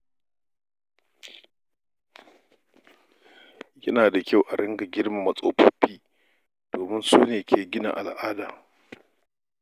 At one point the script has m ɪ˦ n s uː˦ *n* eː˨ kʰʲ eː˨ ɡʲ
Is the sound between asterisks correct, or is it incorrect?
correct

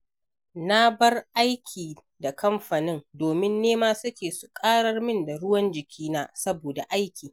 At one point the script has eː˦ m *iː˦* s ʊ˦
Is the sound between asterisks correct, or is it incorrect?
incorrect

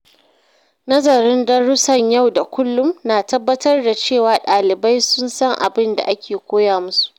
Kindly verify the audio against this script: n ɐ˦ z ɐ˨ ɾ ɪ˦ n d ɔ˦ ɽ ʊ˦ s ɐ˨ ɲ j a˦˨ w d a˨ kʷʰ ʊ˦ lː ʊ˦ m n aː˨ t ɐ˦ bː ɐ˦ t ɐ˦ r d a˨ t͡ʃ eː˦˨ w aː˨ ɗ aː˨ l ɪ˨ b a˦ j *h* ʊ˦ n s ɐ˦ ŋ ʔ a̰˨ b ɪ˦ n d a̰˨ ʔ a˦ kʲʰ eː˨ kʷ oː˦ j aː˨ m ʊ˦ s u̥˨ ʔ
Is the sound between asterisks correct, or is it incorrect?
incorrect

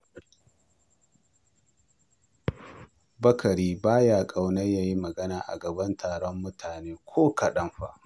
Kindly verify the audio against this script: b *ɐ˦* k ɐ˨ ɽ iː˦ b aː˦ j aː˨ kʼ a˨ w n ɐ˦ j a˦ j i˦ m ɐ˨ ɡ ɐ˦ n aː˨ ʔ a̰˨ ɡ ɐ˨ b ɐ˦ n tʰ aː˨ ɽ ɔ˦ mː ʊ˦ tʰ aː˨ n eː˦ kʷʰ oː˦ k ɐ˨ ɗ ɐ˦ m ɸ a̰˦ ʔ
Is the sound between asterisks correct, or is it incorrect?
correct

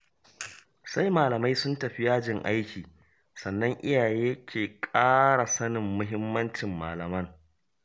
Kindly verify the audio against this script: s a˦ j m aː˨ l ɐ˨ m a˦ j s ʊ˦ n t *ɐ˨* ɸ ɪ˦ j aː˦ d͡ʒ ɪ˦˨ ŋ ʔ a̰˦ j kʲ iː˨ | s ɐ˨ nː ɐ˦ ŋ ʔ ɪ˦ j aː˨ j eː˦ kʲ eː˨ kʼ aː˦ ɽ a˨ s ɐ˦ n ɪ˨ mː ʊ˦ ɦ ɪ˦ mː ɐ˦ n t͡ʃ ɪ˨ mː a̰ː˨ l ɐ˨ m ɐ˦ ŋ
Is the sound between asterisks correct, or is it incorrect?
correct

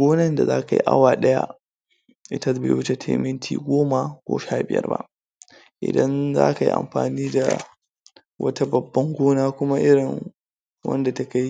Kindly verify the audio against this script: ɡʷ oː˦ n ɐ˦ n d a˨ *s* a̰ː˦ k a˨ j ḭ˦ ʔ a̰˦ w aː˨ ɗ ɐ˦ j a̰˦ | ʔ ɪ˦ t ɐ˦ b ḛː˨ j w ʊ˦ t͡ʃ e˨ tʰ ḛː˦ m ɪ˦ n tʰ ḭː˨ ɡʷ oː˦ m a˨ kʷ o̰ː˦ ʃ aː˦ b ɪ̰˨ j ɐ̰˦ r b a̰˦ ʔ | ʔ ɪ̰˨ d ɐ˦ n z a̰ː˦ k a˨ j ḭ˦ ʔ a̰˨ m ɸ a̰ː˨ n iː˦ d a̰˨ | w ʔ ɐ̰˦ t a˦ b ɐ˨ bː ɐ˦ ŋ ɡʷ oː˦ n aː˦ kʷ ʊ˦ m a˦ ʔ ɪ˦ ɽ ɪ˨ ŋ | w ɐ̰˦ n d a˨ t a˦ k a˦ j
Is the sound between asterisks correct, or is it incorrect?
incorrect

